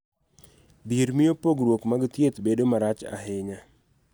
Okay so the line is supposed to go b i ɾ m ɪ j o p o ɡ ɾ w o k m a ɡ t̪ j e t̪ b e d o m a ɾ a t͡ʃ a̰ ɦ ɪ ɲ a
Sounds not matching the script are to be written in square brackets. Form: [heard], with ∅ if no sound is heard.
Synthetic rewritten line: b i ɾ m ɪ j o p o ɡ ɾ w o k m a ɡ t̪ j e t̪ b e d o m a ɾ a t͡ʃ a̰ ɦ ɪ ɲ a